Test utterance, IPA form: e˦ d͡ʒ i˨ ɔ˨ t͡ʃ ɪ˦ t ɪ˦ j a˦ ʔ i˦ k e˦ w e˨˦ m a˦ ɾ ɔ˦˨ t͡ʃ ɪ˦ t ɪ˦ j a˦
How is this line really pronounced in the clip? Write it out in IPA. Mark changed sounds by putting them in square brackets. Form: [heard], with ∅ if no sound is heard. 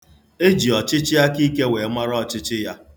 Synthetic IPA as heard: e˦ d͡ʒ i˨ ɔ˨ t͡ʃ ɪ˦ [t͡ʃ] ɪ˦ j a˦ [k] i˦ k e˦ w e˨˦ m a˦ ɾ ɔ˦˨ t͡ʃ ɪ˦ [t͡ʃ] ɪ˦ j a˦